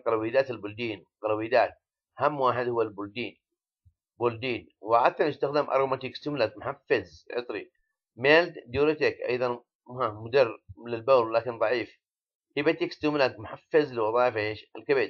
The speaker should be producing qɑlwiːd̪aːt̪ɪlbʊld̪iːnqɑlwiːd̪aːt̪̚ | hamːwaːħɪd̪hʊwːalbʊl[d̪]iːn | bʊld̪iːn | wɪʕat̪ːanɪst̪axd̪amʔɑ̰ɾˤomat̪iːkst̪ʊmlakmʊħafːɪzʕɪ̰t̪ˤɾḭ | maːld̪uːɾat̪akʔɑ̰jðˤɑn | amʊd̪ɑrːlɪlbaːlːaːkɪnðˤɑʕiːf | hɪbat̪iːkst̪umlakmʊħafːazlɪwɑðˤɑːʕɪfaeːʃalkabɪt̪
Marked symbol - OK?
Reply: yes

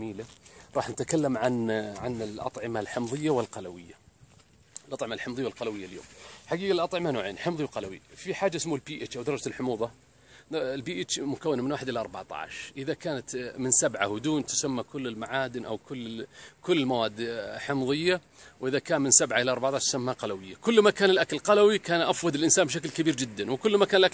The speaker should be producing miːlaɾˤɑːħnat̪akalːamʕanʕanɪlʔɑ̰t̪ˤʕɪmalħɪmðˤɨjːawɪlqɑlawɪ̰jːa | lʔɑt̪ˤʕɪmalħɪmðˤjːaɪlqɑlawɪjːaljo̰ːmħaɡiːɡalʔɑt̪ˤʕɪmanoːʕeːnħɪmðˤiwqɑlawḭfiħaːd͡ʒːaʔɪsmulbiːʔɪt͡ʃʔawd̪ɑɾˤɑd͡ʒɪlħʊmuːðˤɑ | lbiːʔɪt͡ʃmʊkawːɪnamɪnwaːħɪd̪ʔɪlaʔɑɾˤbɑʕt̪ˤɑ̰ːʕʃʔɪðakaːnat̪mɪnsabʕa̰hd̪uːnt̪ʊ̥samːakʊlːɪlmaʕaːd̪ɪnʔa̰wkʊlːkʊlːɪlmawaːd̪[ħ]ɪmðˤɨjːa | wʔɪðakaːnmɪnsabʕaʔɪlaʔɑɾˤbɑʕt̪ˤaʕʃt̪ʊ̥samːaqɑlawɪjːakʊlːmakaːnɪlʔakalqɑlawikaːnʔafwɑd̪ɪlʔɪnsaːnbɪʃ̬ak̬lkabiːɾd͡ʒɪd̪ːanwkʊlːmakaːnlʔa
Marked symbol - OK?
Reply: yes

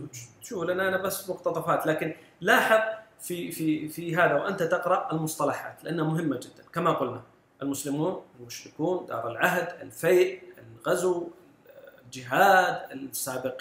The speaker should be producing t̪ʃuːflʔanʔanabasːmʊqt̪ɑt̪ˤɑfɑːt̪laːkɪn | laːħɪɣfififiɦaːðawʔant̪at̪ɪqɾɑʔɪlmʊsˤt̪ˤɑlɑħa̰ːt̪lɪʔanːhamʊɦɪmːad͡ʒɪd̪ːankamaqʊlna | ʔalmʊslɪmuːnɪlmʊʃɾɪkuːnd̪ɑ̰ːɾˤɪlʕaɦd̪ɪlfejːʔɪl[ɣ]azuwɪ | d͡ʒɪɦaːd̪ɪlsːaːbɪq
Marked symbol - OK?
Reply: yes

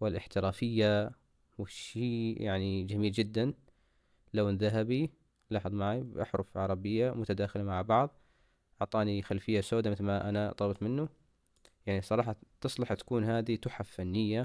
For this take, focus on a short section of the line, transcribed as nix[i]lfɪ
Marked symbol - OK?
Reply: no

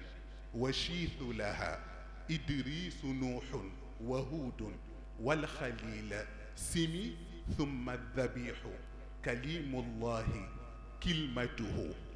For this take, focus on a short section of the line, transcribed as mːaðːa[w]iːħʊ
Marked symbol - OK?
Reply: no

